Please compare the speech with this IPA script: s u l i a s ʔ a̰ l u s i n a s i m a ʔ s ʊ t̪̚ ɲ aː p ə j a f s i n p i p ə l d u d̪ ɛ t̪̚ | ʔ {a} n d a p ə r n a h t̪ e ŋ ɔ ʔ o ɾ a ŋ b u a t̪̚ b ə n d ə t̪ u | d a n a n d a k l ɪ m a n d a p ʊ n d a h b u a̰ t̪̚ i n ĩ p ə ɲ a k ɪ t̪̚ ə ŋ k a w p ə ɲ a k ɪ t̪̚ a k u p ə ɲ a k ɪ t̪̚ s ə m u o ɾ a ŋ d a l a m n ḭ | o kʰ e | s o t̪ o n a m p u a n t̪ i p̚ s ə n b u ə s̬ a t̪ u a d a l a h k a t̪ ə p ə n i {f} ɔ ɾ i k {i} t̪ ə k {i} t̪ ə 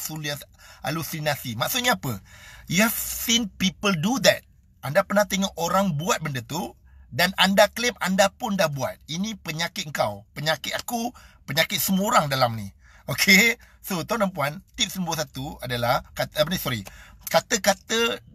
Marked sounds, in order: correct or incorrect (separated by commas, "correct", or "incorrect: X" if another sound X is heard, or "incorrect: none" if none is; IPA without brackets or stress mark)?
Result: correct, incorrect: s, incorrect: a, incorrect: a